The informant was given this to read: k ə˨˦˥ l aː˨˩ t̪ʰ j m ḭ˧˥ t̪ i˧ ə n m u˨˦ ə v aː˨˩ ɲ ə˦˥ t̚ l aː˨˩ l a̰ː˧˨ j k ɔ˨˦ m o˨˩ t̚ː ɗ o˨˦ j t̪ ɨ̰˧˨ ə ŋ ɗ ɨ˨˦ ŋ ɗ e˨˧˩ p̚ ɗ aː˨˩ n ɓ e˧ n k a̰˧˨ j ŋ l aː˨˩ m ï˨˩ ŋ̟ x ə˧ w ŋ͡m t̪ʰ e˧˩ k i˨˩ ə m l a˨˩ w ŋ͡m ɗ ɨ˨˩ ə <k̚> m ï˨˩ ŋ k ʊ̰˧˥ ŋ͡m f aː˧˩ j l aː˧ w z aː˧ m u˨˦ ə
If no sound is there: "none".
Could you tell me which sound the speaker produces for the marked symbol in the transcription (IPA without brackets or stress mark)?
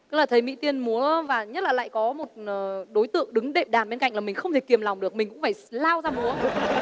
k̚